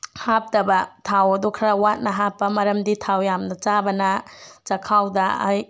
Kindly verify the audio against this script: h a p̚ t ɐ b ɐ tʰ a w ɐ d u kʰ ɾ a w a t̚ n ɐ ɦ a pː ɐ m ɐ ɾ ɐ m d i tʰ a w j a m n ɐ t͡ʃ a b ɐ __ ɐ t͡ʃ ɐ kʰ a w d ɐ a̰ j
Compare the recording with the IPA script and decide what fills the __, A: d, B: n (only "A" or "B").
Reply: B